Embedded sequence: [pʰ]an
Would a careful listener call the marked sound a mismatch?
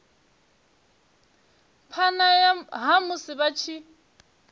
no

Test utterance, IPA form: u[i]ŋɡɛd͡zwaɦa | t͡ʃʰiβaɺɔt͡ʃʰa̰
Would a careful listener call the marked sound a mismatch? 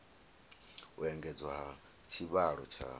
yes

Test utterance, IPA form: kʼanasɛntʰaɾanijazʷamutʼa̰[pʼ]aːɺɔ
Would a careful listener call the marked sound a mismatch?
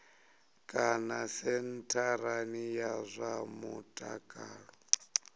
yes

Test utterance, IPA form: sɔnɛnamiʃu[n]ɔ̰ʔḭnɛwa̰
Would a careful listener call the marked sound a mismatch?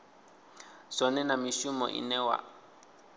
yes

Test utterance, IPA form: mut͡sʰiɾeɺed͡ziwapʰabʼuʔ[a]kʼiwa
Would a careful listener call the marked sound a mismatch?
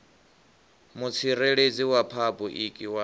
yes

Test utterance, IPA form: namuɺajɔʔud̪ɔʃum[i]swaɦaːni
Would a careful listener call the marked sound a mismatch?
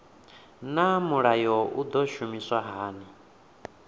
no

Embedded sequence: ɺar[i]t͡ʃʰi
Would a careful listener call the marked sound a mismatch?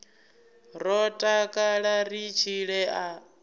no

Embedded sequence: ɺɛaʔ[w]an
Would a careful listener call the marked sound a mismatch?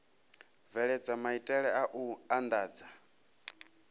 yes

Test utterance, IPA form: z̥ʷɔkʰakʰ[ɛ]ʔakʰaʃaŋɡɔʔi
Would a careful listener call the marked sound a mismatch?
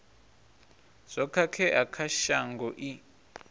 no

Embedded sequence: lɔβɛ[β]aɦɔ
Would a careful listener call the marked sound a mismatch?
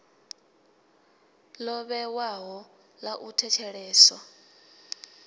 yes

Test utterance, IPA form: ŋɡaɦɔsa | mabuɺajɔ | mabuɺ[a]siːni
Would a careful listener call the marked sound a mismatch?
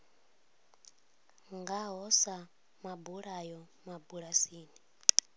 no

